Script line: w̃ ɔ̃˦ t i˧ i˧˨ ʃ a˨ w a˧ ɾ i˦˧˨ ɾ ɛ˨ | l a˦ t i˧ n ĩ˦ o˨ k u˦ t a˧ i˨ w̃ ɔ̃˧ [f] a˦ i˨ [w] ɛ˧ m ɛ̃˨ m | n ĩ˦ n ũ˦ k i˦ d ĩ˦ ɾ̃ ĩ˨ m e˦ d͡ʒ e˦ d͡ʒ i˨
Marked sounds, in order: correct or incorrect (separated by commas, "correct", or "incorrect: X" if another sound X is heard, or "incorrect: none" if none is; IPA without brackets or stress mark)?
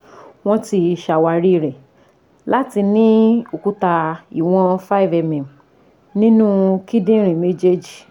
correct, incorrect: v